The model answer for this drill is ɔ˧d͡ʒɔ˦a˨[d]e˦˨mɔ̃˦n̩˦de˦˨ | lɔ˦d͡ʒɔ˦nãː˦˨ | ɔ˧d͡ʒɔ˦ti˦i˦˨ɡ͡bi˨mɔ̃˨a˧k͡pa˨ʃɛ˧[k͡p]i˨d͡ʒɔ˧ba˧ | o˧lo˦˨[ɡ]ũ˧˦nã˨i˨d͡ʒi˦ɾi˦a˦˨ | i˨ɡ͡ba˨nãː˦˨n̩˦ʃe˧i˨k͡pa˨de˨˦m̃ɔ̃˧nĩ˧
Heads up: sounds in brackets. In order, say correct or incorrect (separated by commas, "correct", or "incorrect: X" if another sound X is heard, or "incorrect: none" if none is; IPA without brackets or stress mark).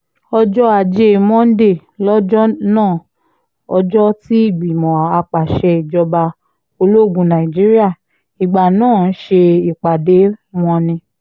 incorrect: d͡ʒ, incorrect: none, correct